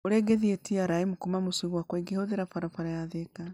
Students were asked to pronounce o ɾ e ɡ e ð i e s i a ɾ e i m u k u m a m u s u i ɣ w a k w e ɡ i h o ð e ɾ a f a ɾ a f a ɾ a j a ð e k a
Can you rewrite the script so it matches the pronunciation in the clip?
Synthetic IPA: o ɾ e ɡ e ð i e t i a ɾ a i m u k u m a m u s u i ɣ w a k w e ɡ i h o ð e ɾ a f a ɾ a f a ɾ a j a ð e k a